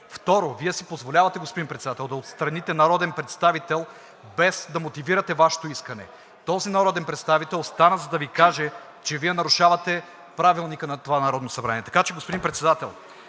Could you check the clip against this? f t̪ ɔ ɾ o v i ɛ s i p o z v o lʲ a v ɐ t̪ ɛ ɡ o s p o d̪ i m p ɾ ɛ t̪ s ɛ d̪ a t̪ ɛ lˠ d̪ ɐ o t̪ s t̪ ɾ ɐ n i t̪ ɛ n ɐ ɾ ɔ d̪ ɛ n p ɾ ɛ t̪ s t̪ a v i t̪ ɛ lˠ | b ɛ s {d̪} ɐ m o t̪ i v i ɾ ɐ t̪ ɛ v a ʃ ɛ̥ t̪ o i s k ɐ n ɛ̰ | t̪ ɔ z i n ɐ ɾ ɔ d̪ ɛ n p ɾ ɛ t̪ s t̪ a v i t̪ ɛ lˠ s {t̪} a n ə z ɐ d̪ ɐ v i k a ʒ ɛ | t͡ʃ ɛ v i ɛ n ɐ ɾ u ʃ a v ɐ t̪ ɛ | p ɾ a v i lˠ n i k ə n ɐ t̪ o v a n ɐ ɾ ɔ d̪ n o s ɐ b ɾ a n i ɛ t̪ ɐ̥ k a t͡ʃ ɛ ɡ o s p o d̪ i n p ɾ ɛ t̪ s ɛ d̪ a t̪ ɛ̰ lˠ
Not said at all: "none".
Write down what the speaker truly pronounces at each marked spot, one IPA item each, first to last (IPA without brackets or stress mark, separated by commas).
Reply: d̪, t̪